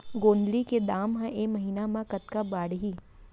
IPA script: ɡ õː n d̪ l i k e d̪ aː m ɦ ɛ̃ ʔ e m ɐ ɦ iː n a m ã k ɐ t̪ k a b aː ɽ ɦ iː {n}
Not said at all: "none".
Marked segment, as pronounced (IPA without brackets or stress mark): none